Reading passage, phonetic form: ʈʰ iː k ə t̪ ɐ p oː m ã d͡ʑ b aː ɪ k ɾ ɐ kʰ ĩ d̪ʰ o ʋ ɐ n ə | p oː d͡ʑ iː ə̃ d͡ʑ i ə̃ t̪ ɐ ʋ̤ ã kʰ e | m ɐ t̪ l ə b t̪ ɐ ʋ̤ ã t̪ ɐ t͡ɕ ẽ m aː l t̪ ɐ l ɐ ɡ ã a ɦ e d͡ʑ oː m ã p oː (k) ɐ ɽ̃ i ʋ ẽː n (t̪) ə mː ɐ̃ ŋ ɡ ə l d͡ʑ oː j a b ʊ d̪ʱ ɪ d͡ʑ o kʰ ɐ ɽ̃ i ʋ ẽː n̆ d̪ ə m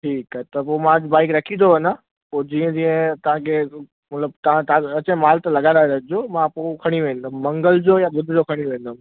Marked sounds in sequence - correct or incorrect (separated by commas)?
incorrect, incorrect